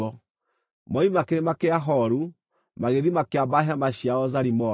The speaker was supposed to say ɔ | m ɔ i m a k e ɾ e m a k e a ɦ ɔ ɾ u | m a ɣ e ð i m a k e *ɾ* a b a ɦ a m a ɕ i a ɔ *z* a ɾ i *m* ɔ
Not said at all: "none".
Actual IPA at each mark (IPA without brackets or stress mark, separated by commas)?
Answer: none, z, m